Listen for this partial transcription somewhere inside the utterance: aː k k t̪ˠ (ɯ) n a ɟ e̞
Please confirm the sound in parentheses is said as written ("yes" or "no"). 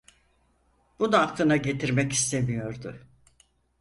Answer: yes